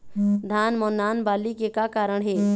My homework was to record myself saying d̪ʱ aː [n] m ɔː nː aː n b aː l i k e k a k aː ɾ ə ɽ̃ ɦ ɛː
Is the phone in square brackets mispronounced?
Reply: no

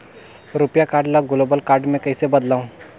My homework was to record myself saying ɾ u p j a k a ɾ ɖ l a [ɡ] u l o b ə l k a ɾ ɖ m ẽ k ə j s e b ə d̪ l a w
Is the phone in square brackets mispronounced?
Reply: no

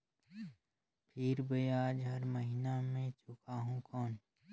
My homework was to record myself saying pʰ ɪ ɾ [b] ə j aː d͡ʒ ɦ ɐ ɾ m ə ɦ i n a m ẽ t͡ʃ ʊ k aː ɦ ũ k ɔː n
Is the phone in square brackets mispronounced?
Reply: no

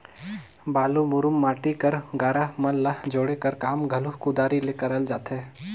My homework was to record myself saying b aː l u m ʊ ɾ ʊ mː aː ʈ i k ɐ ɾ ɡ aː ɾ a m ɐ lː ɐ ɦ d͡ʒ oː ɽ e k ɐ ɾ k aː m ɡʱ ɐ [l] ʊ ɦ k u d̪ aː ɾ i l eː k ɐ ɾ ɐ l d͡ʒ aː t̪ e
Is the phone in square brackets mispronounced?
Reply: no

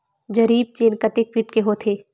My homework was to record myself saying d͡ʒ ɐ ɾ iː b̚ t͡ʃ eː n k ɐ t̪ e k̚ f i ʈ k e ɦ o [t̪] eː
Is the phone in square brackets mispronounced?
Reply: yes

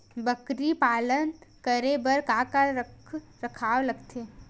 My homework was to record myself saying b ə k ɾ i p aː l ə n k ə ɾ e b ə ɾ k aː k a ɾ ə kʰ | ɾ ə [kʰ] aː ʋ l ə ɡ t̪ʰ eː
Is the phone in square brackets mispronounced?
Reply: no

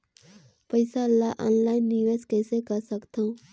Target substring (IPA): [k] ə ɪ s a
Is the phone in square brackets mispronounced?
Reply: yes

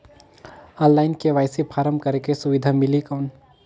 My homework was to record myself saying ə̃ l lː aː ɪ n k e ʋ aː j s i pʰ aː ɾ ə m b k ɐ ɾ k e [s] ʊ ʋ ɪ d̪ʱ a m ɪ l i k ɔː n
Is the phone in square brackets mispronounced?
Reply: no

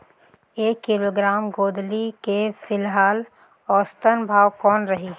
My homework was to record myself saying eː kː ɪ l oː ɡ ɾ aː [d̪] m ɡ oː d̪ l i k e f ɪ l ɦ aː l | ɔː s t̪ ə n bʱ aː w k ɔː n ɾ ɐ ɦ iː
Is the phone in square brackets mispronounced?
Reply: yes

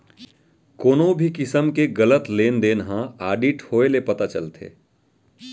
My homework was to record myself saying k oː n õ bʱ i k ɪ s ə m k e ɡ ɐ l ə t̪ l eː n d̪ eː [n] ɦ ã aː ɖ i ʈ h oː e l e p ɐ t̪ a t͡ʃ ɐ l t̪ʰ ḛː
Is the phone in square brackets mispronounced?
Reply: no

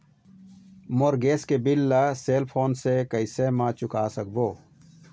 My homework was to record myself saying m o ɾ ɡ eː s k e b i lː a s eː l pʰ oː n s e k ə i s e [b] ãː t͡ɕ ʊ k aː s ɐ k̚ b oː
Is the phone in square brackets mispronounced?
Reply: yes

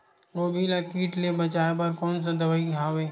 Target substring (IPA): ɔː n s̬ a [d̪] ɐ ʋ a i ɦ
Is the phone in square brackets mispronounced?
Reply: no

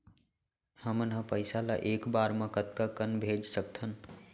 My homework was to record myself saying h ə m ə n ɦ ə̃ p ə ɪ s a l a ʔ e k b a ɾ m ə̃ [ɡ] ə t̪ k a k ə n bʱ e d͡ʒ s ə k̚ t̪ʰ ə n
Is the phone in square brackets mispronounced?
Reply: yes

